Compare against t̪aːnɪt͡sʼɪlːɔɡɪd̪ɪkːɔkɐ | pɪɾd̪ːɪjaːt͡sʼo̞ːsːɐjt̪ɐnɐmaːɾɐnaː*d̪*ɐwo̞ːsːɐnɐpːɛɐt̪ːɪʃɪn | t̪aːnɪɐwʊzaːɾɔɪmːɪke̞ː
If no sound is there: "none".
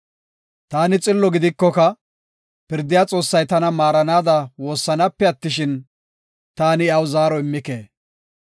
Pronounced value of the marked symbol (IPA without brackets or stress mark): d̪